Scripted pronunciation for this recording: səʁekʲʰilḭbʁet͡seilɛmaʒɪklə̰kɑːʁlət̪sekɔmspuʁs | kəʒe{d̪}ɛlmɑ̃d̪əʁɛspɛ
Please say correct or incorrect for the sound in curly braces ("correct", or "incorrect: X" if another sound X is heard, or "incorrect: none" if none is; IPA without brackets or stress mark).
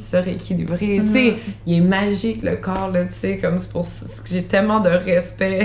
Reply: incorrect: t̪